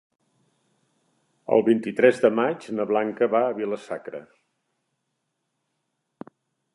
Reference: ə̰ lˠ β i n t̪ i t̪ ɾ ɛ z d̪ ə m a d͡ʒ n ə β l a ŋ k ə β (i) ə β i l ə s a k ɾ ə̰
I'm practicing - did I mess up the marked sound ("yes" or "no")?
yes